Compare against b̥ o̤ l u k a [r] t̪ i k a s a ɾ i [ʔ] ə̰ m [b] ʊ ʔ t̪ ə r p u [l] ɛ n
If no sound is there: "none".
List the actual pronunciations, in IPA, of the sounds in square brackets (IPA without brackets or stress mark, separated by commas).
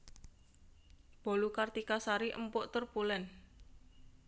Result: r, ʔ, p, l